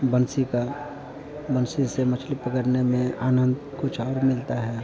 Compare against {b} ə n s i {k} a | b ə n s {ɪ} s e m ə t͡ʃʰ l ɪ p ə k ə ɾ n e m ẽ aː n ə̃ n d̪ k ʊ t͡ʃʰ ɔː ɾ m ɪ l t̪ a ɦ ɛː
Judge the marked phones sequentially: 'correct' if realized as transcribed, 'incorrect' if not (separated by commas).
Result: correct, correct, incorrect